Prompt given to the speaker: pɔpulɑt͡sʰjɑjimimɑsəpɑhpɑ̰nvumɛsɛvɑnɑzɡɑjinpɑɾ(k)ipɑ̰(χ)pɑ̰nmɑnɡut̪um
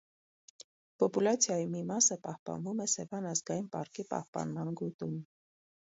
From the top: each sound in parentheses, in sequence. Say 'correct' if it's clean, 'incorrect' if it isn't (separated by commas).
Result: correct, incorrect